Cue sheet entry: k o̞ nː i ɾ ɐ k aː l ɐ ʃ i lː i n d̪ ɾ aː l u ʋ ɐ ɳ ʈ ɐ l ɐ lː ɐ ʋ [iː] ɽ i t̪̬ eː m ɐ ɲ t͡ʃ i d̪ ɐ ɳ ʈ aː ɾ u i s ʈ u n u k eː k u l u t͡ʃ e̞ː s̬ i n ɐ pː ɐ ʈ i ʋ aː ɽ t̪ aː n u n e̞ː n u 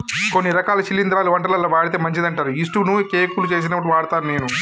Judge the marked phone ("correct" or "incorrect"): incorrect